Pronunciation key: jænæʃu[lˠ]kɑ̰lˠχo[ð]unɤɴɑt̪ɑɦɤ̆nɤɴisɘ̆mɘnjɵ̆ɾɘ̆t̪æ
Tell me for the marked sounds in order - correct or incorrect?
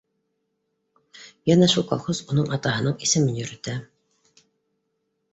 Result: correct, incorrect: z

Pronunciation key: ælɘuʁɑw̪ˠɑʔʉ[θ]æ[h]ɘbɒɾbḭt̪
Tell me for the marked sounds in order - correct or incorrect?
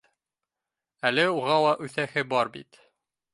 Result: correct, correct

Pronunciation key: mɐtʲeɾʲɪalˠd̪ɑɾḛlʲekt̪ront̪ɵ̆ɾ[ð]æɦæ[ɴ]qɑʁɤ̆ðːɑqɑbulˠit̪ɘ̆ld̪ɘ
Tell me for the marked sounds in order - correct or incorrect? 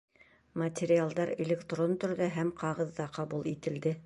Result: correct, incorrect: m

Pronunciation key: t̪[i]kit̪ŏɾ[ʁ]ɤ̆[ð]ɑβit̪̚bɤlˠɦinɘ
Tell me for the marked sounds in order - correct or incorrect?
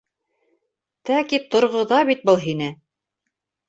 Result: incorrect: æ, correct, correct

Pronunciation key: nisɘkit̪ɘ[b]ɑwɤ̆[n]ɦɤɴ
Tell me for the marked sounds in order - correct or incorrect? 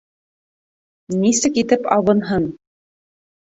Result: incorrect: p, correct

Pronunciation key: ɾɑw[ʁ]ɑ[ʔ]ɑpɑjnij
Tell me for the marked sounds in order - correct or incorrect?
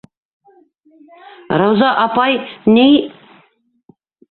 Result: incorrect: z, correct

